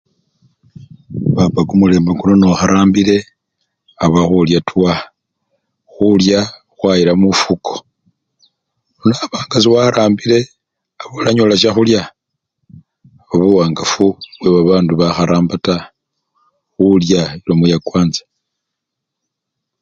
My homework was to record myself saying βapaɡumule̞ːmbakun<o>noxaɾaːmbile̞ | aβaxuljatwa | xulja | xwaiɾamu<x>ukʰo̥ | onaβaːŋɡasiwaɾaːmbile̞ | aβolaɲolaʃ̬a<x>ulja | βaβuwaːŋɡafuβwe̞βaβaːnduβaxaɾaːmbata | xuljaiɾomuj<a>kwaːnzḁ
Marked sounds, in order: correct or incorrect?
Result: correct, incorrect: f, correct, correct

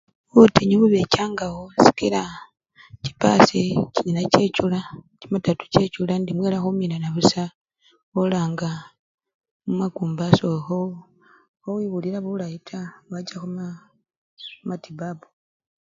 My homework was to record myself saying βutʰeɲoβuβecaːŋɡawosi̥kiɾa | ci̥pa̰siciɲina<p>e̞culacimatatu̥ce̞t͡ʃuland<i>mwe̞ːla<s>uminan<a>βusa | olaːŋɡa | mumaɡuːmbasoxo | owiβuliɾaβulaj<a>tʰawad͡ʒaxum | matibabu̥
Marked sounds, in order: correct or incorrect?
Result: incorrect: c, correct, incorrect: x, correct, incorrect: i

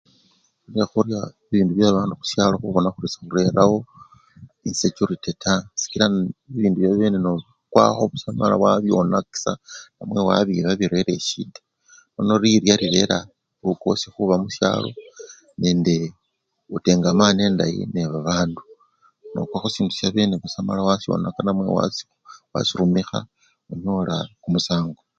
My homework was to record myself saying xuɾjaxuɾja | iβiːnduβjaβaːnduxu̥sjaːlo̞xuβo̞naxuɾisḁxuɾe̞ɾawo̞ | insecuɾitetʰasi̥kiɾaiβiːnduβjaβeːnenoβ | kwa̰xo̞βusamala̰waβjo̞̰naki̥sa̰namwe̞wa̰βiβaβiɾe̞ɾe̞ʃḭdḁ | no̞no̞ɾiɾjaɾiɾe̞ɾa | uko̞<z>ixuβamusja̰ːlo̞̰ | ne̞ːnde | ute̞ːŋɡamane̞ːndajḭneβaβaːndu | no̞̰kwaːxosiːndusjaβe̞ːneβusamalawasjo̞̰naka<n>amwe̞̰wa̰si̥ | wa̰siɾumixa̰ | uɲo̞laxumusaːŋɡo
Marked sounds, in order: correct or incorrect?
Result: incorrect: s, correct

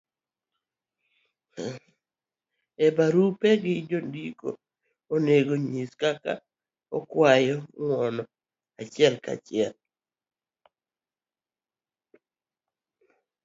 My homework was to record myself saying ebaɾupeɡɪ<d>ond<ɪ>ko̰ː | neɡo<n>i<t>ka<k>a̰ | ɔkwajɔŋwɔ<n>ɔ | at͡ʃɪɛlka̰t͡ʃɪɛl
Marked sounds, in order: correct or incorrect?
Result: incorrect: d͡ʒ, incorrect: i, incorrect: ɲ, incorrect: s, correct, correct

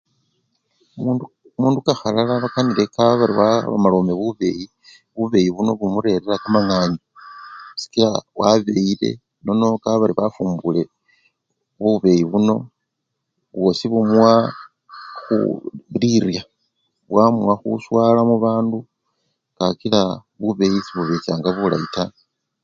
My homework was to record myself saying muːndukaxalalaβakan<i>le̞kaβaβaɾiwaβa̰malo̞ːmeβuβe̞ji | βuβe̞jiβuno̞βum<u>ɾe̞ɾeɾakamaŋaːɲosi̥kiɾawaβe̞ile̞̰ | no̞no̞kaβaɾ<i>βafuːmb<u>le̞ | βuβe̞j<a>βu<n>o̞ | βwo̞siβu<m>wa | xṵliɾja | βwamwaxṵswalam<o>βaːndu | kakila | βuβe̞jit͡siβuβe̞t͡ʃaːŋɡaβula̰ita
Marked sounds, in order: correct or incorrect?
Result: correct, correct, correct, correct, incorrect: i, correct, correct, incorrect: u

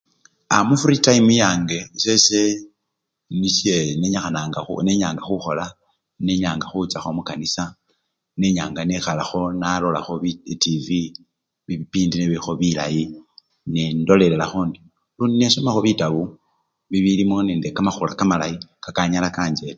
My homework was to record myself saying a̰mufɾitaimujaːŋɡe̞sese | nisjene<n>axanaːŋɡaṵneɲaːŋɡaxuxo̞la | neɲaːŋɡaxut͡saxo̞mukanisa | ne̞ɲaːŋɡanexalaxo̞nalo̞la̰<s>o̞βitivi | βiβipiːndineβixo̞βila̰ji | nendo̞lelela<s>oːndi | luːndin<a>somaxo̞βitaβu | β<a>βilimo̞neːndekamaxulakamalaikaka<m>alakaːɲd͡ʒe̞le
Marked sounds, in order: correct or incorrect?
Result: incorrect: ɲ, incorrect: x, incorrect: x, incorrect: e, incorrect: i, incorrect: ɲ

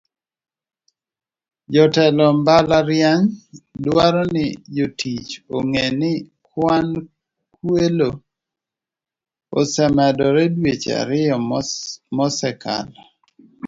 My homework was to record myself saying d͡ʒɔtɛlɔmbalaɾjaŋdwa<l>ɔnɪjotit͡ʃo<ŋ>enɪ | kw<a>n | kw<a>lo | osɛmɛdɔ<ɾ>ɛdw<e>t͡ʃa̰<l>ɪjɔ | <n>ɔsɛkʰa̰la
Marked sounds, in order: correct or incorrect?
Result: incorrect: ɾ, correct, correct, incorrect: e, correct, correct, incorrect: ɾ, incorrect: m

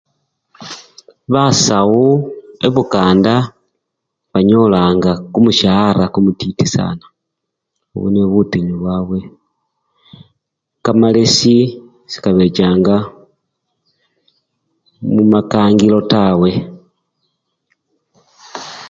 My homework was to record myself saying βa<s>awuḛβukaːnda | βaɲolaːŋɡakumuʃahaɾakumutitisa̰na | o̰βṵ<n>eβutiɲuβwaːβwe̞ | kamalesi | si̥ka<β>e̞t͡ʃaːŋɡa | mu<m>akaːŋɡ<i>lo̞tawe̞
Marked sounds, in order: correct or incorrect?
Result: correct, correct, correct, correct, correct

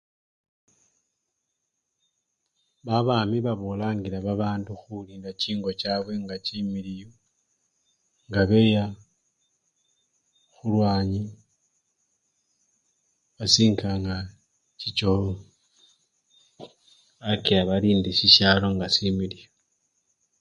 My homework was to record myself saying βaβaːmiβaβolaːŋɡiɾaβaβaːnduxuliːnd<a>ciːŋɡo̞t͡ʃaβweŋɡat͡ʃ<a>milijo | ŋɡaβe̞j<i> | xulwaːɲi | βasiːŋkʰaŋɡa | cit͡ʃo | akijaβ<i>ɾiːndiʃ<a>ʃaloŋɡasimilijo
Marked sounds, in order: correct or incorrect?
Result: correct, incorrect: i, incorrect: a, incorrect: a, incorrect: i

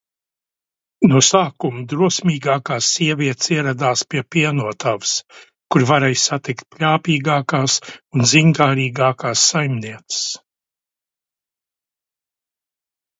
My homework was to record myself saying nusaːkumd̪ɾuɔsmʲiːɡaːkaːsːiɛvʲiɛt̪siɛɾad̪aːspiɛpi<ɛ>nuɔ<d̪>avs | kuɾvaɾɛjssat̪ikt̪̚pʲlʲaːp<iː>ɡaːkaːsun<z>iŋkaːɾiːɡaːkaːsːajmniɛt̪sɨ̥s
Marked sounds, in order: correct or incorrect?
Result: correct, incorrect: t̪, correct, correct

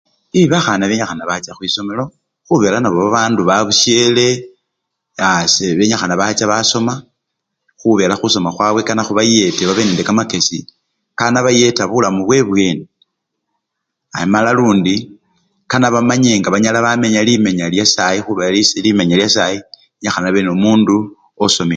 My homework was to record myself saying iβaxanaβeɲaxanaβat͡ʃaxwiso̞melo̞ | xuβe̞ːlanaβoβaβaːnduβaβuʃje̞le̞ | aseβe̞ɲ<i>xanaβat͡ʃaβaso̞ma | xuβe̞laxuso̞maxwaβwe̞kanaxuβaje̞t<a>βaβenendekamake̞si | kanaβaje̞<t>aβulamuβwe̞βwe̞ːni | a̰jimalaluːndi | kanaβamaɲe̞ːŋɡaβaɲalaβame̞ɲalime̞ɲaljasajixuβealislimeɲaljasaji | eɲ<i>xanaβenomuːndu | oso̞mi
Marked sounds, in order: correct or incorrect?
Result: incorrect: a, incorrect: e, correct, incorrect: a

